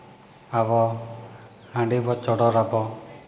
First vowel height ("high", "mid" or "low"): low